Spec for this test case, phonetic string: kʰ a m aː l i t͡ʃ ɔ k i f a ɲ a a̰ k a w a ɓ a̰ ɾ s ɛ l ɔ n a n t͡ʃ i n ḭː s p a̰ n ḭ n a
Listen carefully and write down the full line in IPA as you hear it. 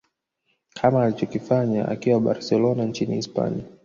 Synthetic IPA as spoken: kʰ a m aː l i t͡ʃ ɔ k i f a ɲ a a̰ k i w a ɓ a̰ ɾ s ɛ l ɔ n a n t͡ʃ i n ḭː s p a̰ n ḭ a

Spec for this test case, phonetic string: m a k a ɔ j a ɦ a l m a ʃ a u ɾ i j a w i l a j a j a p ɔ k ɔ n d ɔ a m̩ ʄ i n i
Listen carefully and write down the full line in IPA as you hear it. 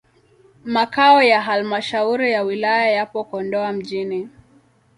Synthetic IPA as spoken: m a k a ɔ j a ɦ a l m a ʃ a u ɾ i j a w i l a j a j a p ɔ k ɔ n d ɔ a m̩ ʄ i n i

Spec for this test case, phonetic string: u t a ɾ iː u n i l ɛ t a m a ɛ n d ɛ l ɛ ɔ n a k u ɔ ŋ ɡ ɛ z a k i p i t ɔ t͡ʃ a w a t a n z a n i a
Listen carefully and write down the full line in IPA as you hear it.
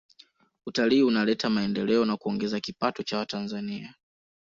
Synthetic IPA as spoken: u t a l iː u n a l ɛ t a m a ɛ n d ɛ l ɛ ɔ n a k u ɔ ŋ ɡ ɛ z a k i p a t ɔ t͡ʃ a w a t a n z a n i a

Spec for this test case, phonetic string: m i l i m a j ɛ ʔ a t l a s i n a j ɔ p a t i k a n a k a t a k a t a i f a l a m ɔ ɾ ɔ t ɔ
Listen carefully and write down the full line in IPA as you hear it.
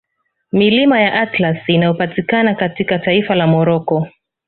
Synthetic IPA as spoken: m i l i m a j a ʔ a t l a s i n a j ɔ p a t i k a n a k a t i k a t a i f a l a m ɔ ɾ ɔ k ɔ

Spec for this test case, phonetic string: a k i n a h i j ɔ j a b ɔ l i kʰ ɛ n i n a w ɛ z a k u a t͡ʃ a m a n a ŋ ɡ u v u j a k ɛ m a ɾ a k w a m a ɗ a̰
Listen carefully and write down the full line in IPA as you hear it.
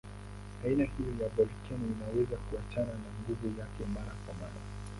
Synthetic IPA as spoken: a i n a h i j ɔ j a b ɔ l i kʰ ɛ n i n a w ɛ z a k u a t͡ʃ a n a n a ŋ ɡ u v u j a k ɛ m a ɾ a k w a m a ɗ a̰

